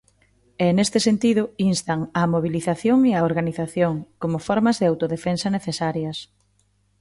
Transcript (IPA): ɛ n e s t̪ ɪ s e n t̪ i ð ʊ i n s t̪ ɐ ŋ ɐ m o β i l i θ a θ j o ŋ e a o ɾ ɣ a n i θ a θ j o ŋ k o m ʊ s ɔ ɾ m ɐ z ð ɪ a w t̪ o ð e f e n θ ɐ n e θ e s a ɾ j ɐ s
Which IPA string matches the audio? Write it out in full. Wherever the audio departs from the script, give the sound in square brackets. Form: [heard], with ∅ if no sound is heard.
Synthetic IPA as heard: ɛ n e s t̪ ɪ s e n t̪ i ð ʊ i n s t̪ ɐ ŋ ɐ m o β i l i θ a θ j o ŋ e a o ɾ ɣ a n i θ a θ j o ŋ k o m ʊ [f] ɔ ɾ m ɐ z ð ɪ a w t̪ o ð e f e n [s] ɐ n e θ e s a ɾ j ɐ s